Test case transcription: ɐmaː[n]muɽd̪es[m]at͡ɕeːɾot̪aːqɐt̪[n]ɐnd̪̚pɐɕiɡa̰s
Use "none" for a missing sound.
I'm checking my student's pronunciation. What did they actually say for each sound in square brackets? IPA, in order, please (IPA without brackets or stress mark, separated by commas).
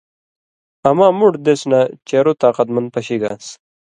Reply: none, n, m